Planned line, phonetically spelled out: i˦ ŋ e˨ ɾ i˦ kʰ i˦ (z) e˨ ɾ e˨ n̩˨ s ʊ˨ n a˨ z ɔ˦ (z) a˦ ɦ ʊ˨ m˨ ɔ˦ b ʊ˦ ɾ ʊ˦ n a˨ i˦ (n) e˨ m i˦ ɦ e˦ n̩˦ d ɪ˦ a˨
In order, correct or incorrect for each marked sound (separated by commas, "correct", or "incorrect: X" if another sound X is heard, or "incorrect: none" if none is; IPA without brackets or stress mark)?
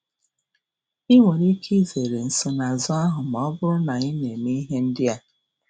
correct, incorrect: none, correct